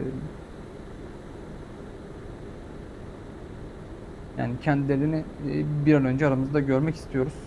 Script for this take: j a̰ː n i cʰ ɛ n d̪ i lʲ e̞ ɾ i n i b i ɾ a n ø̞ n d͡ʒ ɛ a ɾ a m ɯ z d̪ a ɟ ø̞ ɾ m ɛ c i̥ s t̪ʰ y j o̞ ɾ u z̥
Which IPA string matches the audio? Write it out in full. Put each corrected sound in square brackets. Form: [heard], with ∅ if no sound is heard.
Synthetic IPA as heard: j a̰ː n i cʰ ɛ n d̪ i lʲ e̞ ɾ i n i b i ɾ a n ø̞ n d͡ʒ ɛ a ɾ a m ɯ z d̪ a ɟ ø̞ ɾ m ɛ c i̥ s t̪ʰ [i] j o̞ ɾ u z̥